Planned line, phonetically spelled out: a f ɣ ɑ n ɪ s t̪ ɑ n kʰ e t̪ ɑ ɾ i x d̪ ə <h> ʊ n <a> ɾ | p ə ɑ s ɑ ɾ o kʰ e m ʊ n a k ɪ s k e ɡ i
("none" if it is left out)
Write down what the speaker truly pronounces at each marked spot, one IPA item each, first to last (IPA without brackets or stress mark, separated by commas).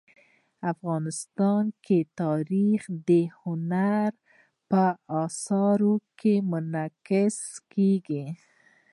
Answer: h, a